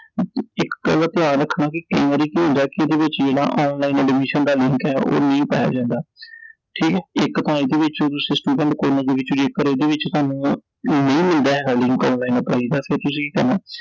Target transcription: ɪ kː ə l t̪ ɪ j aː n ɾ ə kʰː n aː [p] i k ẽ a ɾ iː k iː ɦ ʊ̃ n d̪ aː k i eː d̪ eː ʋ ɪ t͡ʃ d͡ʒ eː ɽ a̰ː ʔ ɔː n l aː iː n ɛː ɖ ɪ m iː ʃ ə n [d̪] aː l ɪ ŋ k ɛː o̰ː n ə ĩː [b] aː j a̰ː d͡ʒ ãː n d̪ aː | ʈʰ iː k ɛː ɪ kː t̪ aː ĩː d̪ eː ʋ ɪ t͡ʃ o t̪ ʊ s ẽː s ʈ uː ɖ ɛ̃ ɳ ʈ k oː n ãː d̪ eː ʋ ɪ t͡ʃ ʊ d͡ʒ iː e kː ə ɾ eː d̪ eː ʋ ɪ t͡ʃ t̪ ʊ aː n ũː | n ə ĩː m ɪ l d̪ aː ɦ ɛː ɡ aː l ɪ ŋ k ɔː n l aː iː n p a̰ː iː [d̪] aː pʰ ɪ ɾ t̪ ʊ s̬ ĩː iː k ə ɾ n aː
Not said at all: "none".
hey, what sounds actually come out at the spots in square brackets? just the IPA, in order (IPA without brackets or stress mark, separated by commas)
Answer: k, d̪, p, d̪